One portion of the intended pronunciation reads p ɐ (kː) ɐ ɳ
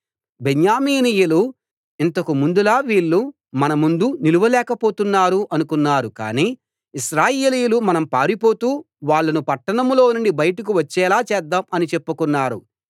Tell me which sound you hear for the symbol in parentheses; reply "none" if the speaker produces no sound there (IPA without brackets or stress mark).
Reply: ʈː